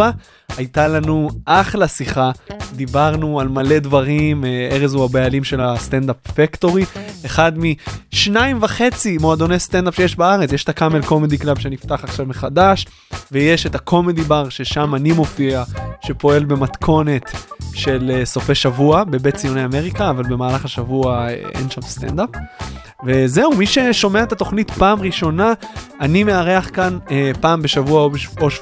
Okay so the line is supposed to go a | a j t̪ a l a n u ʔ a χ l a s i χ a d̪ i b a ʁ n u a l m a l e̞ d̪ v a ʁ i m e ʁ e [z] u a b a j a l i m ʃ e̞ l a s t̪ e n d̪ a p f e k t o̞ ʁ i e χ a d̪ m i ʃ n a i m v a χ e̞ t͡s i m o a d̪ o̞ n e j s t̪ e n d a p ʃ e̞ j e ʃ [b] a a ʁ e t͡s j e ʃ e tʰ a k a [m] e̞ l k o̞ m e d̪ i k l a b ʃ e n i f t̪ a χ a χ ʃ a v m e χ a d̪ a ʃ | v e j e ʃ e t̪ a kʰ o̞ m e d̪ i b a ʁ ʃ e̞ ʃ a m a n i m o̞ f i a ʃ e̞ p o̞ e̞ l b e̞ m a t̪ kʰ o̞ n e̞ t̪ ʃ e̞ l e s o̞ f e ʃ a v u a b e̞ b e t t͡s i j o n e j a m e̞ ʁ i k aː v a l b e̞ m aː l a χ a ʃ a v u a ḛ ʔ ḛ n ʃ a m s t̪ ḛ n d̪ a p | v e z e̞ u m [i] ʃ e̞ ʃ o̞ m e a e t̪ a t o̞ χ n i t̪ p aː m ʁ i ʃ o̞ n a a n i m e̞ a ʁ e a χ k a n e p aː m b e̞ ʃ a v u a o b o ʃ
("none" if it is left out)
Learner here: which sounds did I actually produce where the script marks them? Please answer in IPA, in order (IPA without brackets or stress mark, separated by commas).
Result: z, b, m, i